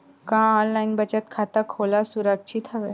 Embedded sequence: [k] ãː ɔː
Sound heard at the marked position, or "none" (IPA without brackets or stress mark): k